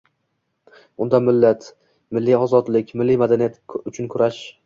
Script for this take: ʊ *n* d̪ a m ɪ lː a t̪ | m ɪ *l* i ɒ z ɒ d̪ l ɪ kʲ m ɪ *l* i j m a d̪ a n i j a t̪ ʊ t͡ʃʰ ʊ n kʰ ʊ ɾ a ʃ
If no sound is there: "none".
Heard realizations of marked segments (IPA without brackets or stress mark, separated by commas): n, lː, lː